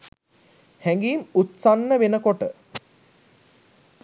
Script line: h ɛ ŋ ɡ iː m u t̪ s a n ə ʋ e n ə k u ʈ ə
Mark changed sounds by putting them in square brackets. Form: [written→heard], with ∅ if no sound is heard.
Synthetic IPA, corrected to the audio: h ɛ ŋ ɡ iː m u t̪ s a [n→nː] ə ʋ e n ə k [u→o] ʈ ə